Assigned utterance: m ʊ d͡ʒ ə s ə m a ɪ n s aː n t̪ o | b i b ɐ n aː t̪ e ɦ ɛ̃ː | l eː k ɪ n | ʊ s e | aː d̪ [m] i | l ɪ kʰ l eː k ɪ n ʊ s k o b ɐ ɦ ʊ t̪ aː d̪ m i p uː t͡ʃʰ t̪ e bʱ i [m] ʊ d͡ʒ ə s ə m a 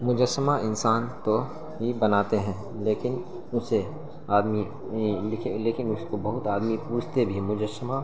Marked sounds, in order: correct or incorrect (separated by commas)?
correct, correct